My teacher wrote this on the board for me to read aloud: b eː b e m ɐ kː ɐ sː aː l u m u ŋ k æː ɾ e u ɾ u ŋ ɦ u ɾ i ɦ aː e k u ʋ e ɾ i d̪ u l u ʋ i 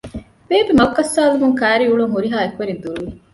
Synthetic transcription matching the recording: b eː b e m ɐ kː ɐ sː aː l u m u ŋ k æː ɾ i u ɭ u ŋ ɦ u ɾ i ɦ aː e k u ʋ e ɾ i d̪ u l u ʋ i